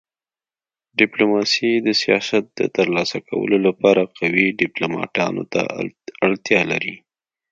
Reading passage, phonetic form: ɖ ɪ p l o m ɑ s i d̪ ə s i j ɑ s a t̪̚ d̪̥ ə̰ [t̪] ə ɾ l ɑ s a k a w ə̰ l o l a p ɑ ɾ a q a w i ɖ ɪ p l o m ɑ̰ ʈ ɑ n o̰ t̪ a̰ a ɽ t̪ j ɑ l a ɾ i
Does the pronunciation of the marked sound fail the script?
no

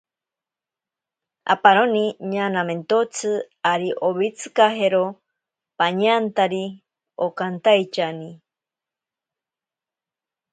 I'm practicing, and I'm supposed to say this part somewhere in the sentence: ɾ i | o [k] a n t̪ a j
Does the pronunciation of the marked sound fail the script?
no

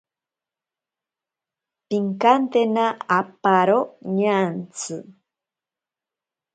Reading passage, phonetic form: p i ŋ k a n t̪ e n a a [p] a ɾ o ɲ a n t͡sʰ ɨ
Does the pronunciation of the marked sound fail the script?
no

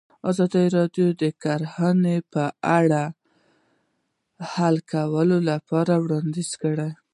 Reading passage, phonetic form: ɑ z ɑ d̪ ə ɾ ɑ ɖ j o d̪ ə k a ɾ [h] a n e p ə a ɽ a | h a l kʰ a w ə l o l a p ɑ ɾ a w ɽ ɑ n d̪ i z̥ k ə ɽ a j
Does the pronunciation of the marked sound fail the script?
no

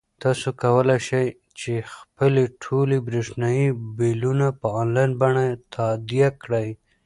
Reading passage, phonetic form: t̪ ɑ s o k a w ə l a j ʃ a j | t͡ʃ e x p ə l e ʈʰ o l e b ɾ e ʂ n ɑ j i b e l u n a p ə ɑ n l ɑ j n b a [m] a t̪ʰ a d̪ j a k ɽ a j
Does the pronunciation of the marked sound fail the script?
yes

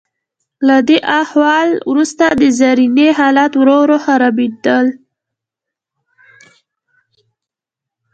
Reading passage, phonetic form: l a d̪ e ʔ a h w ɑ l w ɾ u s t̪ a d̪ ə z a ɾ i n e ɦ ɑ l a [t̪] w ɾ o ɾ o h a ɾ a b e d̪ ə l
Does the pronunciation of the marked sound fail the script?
no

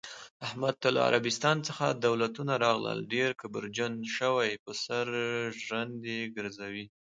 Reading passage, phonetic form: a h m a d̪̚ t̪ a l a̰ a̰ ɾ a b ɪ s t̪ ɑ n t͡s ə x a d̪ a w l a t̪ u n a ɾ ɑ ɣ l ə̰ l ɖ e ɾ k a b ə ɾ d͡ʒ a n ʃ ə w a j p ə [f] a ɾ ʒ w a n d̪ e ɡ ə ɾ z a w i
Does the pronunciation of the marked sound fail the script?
yes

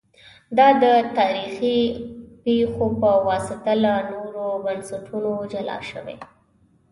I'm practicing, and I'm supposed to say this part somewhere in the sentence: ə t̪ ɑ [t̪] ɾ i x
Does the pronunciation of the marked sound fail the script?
yes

